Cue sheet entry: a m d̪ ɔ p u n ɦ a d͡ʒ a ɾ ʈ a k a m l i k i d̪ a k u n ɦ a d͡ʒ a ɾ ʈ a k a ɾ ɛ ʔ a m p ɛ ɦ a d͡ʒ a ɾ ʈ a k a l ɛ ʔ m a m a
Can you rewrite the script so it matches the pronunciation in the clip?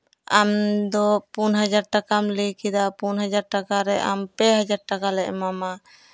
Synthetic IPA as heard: a m d̪ ɔ p u n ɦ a d͡ʒ a ɾ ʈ a k a m l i k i d̪ a p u n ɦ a d͡ʒ a ɾ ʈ a k a ɾ ɛ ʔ a m p ɛ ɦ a d͡ʒ a ɾ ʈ a k a l ɛ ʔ m a m a